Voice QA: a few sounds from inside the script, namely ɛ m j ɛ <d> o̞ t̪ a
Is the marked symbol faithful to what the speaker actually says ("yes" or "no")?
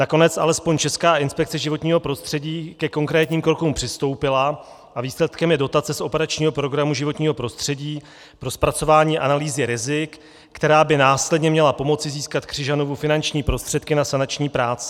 yes